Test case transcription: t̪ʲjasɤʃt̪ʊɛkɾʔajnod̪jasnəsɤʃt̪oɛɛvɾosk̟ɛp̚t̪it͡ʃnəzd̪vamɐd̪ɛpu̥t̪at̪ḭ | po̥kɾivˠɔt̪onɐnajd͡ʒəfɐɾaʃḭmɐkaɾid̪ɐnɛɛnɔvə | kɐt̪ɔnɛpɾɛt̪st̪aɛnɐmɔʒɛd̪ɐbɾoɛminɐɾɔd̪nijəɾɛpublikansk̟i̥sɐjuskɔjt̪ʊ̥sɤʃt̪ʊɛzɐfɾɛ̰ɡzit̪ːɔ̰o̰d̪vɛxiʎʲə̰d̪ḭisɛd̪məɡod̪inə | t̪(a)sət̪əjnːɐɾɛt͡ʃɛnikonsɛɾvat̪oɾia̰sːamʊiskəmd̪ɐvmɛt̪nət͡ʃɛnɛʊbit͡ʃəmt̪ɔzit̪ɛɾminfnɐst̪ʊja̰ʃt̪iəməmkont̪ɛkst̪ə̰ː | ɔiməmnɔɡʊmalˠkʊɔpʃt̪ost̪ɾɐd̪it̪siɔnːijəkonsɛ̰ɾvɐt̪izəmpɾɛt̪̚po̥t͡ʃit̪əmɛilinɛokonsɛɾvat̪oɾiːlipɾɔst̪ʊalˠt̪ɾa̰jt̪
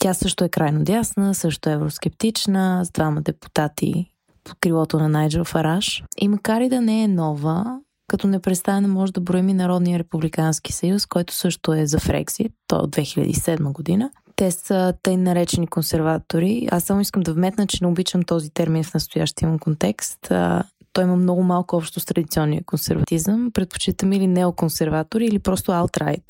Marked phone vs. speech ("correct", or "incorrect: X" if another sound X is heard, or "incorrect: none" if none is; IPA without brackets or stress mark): incorrect: ɛ